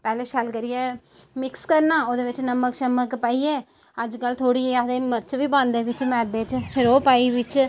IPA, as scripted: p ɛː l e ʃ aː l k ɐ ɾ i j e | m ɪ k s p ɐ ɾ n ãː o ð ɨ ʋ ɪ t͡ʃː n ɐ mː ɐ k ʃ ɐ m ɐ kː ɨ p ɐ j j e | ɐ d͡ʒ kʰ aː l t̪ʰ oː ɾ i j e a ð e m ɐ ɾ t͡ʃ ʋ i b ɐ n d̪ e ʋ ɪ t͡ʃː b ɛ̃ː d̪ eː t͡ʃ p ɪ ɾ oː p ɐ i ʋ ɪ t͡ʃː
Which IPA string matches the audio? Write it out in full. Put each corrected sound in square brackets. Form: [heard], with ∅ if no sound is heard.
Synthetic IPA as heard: p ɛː l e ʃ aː l k ɐ ɾ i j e | m ɪ k s [k] ɐ ɾ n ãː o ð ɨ ʋ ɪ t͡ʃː n ɐ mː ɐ k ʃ ɐ m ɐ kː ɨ p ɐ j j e | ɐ d͡ʒ [k] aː l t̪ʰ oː [ɽ] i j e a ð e m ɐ ɾ t͡ʃ ʋ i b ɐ n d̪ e ʋ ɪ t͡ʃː [m] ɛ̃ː d̪ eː t͡ʃ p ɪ ɾ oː p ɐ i ʋ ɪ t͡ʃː